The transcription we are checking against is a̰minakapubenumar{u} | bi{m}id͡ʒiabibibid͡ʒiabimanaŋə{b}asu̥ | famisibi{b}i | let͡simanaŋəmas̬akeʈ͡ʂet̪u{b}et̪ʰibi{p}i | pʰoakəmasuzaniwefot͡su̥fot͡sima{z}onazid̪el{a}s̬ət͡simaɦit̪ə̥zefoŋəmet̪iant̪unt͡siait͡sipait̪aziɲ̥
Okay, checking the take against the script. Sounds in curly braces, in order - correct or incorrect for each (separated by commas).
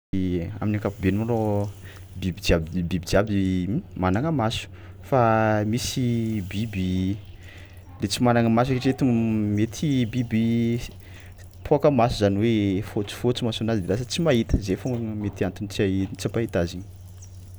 incorrect, incorrect, incorrect, correct, incorrect, incorrect, incorrect, correct